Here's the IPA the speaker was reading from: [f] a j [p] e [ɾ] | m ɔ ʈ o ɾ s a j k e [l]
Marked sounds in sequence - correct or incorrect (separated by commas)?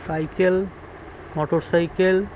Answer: incorrect, incorrect, incorrect, correct